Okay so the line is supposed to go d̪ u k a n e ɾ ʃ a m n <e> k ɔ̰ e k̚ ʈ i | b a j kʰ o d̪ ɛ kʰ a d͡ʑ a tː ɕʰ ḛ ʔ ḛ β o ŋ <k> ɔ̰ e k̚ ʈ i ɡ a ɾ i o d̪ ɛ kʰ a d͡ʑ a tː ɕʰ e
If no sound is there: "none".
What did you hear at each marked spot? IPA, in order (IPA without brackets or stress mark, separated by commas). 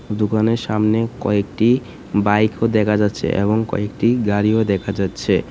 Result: e, k